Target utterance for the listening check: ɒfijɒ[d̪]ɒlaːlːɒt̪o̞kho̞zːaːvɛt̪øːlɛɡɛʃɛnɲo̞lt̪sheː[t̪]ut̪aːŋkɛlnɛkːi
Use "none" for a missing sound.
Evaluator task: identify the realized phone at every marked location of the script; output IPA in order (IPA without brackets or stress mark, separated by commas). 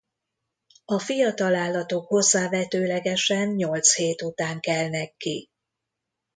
t̪, t̪